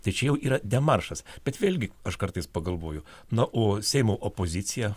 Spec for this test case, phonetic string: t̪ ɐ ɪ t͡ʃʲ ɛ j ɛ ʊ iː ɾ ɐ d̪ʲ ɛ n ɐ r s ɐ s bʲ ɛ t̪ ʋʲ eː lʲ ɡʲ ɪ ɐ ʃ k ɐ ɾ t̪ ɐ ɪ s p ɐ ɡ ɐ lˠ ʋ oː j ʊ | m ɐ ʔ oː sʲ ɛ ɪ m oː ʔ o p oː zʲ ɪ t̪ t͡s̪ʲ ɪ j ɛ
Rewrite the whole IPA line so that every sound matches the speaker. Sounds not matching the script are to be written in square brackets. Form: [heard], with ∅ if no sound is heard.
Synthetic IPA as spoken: t̪ ɐ ɪ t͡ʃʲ ɛ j ɛ ʊ iː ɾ ɐ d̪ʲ ɛ [m] ɐ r [ʃ] ɐ s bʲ ɛ t̪ ʋʲ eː lʲ ɡʲ ɪ ɐ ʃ k ɐ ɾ t̪ ɐ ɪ s p ɐ ɡ ɐ lˠ ʋ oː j ʊ | [n] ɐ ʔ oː sʲ ɛ ɪ m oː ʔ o p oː zʲ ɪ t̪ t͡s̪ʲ ɪ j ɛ

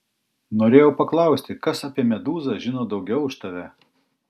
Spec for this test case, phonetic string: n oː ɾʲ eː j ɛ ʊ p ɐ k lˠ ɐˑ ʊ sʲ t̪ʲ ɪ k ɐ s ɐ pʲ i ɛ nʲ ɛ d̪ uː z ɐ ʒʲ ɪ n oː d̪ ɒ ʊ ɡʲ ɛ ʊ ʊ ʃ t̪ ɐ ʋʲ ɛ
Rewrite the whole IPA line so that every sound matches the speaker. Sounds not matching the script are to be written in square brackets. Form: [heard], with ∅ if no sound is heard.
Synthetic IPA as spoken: n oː ɾʲ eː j ɛ ʊ p ɐ k lˠ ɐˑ ʊ sʲ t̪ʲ ɪ k ɐ s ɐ pʲ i ɛ [mʲ] ɛ d̪ uː z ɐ ʒʲ ɪ n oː d̪ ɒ ʊ ɡʲ ɛ ʊ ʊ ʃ t̪ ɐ ʋʲ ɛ

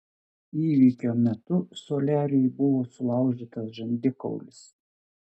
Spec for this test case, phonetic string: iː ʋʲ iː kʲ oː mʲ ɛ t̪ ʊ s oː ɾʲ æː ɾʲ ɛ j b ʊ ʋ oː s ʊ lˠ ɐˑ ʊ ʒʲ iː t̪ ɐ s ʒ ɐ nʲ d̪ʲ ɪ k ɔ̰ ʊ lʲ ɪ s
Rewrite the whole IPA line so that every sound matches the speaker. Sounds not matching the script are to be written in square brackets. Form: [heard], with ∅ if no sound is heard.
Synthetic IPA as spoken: iː ʋʲ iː kʲ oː mʲ ɛ t̪ ʊ s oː [lʲ] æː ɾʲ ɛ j b ʊ ʋ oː s ʊ lˠ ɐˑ ʊ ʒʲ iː t̪ ɐ s ʒ ɐ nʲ d̪ʲ ɪ k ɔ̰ ʊ lʲ ɪ s

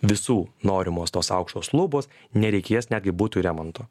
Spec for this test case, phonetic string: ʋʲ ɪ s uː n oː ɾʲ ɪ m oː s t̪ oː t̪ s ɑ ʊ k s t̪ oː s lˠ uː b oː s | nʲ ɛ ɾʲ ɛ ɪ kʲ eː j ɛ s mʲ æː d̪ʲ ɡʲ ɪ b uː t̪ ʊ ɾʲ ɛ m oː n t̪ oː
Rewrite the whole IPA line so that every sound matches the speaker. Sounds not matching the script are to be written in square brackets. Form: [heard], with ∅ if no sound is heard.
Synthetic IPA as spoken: ʋʲ ɪ s uː n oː ɾʲ ɪ m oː s t̪ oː [∅] s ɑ ʊ k [ʃ] t̪ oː s lˠ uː b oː s | nʲ ɛ ɾʲ ɛ ɪ kʲ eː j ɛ s [nʲ] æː d̪ʲ ɡʲ ɪ b uː t̪ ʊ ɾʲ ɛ m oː n t̪ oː

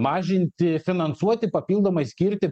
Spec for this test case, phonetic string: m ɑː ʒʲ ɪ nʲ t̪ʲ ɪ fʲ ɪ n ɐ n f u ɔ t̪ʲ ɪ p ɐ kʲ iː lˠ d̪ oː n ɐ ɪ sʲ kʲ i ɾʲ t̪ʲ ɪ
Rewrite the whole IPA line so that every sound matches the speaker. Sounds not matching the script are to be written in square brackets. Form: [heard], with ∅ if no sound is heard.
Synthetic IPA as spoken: m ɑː ʒʲ ɪ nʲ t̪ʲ ɪ fʲ ɪ n ɐ n [s] u ɔ t̪ʲ ɪ p ɐ [pʲ] iː lˠ d̪ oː [m] ɐ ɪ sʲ kʲ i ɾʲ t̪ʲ ɪ

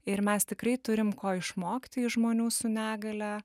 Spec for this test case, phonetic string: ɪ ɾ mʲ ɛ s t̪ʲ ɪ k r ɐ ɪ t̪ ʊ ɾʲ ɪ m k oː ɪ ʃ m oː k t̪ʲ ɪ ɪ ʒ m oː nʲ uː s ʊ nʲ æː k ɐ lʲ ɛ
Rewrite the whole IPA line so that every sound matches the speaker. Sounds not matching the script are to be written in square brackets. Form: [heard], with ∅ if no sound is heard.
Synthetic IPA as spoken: ɪ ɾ mʲ ɛ s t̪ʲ ɪ k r ɐ ɪ t̪ ʊ ɾʲ ɪ m k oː ɪ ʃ m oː k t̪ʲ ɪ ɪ ʒ m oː nʲ uː s ʊ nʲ æː [ɡ] ɐ lʲ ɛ

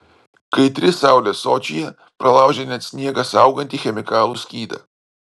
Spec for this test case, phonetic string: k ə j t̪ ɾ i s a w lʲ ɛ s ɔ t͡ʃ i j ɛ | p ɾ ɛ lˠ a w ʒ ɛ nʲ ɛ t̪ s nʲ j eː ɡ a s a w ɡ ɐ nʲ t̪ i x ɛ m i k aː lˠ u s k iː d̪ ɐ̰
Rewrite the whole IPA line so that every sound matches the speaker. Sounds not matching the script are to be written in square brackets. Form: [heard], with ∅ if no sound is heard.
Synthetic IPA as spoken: k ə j t̪ ɾ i s a w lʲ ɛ s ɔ t͡ʃ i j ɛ | p ɾ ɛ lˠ a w ʒ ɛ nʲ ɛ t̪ s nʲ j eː ɡ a s a w ɡ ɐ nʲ t̪ i x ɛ m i k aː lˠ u s k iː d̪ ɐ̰

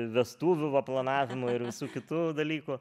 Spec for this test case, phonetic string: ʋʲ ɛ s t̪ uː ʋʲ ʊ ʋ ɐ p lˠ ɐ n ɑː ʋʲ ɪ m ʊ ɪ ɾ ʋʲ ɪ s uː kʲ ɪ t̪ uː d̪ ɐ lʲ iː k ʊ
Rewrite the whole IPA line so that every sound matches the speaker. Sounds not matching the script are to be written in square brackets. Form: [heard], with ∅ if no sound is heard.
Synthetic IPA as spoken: ʋʲ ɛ s t̪ uː ʋʲ ʊ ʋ ɐ p lˠ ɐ n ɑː ʋʲ ɪ m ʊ ɪ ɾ ʋʲ ɪ s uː kʲ ɪ t̪ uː d̪ ɐ lʲ iː k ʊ

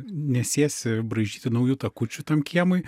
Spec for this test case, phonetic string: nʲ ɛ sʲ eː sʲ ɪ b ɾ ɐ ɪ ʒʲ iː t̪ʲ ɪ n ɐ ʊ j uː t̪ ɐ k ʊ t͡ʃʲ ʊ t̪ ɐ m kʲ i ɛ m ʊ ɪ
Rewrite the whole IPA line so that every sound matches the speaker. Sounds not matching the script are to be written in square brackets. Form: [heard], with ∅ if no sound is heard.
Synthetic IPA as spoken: nʲ ɛ sʲ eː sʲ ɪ b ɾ ɐ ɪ ʒʲ iː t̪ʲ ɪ n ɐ ʊ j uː t̪ ɐ k ʊ t͡ʃʲ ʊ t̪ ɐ m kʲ i ɛ m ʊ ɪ

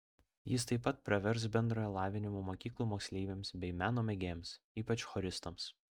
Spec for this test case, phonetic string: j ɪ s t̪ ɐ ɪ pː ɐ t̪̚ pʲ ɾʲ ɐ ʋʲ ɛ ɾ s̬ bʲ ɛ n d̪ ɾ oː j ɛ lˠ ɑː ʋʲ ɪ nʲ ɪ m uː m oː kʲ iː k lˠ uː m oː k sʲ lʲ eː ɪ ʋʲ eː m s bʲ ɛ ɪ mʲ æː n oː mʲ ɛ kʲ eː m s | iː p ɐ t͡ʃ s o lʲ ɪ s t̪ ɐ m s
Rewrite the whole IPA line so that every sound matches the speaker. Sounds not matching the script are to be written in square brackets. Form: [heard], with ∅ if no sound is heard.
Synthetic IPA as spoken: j ɪ s t̪ ɐ ɪ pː ɐ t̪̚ pʲ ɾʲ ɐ ʋʲ ɛ ɾ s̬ bʲ ɛ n d̪ ɾ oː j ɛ lˠ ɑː ʋʲ ɪ nʲ ɪ m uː m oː kʲ iː k lˠ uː m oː k sʲ lʲ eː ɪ ʋʲ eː m s bʲ ɛ ɪ mʲ æː n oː mʲ ɛ [ɡʲ] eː m s | iː p ɐ t͡ʃ [x] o [ɾʲ] ɪ s t̪ ɐ m s

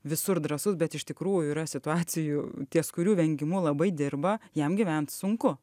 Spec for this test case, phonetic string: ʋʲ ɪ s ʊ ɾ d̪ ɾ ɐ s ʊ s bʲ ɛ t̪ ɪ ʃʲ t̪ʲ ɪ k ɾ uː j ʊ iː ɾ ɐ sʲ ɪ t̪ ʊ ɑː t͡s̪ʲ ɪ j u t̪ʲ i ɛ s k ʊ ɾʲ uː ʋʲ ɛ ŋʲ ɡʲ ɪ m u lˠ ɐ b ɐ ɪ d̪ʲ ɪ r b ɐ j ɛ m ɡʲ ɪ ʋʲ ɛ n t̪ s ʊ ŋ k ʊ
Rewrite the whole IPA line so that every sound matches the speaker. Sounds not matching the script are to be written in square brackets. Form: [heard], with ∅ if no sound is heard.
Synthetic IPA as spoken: ʋʲ ɪ s ʊ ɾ d̪ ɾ ɐ s ʊ s bʲ ɛ t̪ ɪ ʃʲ t̪ʲ ɪ k ɾ uː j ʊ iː ɾ ɐ sʲ ɪ t̪ ʊ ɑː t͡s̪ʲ ɪ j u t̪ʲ i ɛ s k ʊ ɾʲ uː ʋʲ ɛ ŋʲ ɡʲ ɪ m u lˠ ɐ b ɐ ɪ d̪ʲ ɪ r b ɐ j ɛ m ɡʲ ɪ ʋʲ ɛ n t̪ s ʊ ŋ k ʊ

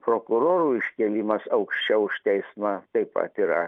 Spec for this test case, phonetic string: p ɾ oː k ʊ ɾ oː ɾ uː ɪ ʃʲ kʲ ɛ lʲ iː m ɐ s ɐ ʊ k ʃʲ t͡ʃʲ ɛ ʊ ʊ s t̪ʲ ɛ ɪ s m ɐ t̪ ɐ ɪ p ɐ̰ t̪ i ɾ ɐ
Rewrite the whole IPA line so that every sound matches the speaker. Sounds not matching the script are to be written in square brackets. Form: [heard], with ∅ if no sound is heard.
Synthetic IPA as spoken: p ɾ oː k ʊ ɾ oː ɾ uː ɪ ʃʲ kʲ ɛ lʲ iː m ɐ s ɐ ʊ k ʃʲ t͡ʃʲ ɛ ʊ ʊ [ʃ] t̪ʲ ɛ ɪ s m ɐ t̪ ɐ ɪ p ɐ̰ t̪ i ɾ ɐ

